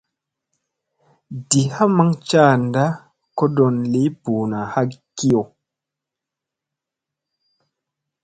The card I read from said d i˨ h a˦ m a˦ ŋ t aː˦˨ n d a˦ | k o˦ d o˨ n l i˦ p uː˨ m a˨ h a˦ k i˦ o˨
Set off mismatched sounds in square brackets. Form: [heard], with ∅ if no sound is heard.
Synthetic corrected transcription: d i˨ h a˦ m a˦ ŋ [t͡ʃ] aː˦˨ n d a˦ | k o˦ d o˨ n l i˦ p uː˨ [n] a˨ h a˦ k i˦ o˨

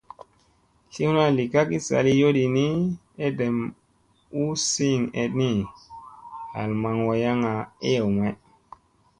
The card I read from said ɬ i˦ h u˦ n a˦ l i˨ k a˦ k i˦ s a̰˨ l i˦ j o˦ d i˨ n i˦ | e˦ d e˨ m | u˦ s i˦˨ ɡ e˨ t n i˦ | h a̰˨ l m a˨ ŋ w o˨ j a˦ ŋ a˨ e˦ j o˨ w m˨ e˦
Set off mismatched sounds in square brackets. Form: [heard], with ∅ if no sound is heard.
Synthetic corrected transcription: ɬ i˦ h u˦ n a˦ l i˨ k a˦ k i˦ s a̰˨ l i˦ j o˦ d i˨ n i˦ | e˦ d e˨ m | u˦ s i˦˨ [ŋ] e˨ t n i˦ | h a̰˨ l m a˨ ŋ w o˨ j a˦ ŋ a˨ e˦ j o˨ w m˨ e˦

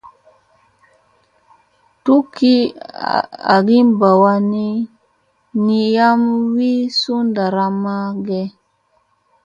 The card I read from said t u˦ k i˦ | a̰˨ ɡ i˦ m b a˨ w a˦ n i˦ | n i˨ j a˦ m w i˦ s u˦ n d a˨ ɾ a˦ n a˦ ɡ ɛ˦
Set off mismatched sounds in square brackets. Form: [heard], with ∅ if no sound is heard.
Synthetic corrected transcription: t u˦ k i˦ | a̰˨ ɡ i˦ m b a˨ w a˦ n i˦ | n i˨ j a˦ m w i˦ s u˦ n d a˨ ɾ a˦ [m] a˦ ɡ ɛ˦

